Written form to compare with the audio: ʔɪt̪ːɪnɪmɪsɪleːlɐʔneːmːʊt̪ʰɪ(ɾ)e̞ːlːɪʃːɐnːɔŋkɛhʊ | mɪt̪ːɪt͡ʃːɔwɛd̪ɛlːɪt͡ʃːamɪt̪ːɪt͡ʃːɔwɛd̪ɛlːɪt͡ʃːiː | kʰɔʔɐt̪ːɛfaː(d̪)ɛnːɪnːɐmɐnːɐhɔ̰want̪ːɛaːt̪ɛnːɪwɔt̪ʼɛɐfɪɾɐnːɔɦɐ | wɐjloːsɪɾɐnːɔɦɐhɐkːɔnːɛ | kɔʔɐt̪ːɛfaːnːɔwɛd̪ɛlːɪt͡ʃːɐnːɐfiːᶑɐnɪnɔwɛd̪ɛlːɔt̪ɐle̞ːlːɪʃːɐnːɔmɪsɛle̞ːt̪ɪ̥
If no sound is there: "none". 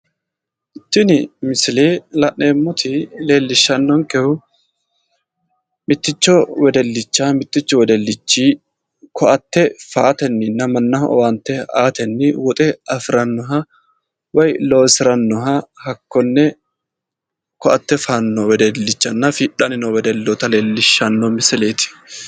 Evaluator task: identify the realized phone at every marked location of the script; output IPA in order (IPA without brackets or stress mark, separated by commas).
l, t̪